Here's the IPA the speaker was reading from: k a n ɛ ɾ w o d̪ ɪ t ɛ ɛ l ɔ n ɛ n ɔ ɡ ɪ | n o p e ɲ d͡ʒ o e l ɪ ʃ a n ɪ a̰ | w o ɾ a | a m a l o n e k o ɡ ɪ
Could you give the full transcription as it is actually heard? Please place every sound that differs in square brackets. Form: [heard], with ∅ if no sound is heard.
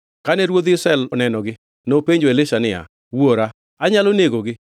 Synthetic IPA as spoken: k a n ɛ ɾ w o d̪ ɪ [s] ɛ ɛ l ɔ n ɛ n ɔ ɡ ɪ | n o p e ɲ d͡ʒ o e l ɪ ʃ a n ɪ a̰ | w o ɾ a | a [ɲ] a l o n e [ɡ] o ɡ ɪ